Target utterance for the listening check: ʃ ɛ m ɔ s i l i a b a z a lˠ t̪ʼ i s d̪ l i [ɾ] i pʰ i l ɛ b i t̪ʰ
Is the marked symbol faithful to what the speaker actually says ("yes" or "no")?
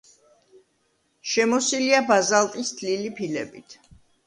no